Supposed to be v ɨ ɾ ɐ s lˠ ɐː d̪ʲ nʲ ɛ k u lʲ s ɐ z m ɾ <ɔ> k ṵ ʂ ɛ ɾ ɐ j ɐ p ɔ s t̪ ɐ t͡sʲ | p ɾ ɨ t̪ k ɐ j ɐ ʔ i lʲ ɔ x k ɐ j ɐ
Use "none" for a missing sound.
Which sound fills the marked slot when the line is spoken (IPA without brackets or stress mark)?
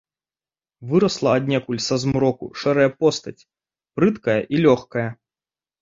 ɔ